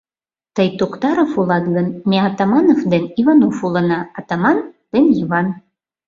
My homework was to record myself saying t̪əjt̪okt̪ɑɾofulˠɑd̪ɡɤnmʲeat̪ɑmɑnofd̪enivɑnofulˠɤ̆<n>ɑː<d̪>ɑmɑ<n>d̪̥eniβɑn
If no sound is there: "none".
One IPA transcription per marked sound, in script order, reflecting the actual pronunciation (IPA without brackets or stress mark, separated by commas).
n, t̪, n